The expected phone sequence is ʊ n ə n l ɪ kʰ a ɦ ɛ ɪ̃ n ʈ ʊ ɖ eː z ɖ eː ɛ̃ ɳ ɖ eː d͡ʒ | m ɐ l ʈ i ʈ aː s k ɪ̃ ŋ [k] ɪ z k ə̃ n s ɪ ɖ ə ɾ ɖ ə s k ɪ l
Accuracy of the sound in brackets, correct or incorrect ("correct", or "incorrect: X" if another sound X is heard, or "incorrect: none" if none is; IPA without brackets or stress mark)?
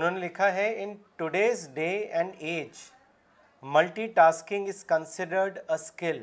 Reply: incorrect: ɡ